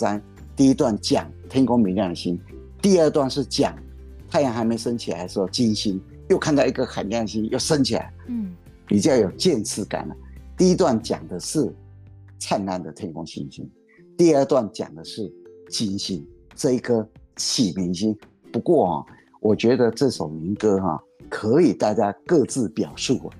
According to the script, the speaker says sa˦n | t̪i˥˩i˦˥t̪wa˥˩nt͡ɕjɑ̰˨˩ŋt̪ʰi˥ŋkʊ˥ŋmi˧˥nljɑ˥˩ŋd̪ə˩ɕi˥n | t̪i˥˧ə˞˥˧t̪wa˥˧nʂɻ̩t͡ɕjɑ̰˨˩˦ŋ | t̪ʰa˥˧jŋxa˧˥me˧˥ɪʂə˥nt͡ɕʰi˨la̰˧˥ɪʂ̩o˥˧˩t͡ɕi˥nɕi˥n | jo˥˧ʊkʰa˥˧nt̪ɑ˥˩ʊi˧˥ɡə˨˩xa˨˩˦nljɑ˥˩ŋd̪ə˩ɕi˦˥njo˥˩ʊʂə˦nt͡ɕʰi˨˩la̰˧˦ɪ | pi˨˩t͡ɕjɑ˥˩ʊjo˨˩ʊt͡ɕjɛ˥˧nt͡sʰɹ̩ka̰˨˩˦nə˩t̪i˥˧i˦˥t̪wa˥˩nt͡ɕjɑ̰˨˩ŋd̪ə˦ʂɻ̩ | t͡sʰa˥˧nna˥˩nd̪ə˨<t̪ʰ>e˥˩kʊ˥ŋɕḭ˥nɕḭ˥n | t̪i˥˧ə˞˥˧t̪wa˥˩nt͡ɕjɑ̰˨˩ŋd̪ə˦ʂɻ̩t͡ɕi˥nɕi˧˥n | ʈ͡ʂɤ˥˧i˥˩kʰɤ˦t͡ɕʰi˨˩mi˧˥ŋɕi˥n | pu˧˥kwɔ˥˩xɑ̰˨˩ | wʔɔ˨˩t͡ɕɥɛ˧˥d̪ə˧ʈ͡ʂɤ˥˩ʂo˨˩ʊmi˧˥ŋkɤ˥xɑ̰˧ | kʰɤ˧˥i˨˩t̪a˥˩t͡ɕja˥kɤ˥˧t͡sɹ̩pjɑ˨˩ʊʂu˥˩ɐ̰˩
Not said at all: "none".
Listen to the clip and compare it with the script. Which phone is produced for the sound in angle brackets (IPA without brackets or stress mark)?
t̪ʰ